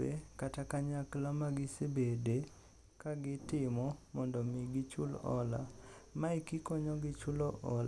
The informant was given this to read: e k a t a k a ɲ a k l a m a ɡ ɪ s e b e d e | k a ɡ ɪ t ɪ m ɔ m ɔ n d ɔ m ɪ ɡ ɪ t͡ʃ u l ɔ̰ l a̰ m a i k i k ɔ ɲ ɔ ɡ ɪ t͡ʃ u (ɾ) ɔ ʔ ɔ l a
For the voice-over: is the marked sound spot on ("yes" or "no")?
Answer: no